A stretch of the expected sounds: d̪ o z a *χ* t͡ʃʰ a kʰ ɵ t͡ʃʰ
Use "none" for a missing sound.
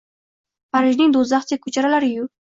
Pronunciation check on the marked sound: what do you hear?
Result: χ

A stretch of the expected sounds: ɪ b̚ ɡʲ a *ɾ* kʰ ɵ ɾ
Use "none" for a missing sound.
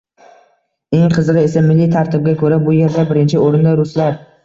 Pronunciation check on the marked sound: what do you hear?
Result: none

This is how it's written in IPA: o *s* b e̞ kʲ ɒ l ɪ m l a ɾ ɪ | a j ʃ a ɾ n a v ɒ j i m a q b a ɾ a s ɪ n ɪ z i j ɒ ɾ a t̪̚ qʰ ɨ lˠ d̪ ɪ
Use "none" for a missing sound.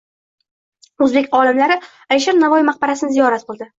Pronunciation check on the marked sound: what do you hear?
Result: z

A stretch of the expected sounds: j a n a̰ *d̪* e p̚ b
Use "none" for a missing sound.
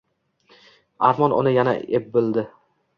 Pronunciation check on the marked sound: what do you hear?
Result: none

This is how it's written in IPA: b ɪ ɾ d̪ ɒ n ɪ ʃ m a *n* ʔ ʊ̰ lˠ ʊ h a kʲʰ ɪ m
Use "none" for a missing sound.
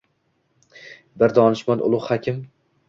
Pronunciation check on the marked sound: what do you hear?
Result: n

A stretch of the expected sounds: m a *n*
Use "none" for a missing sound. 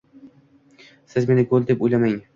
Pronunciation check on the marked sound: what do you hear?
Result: ŋ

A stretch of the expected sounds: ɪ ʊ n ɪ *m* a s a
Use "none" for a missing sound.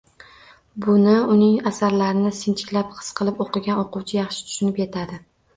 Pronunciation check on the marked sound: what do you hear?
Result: ŋ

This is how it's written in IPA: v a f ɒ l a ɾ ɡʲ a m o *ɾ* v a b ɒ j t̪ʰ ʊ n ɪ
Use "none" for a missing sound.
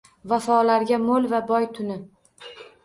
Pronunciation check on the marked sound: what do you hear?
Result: l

